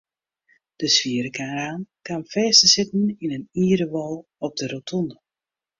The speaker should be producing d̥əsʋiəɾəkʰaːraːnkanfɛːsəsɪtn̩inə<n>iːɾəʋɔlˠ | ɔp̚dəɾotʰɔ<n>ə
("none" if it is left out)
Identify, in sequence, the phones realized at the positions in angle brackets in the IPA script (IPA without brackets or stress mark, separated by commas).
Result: n, n